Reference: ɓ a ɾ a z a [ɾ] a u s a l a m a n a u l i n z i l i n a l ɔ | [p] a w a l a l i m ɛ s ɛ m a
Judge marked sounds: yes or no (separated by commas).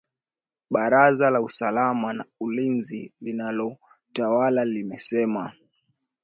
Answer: no, no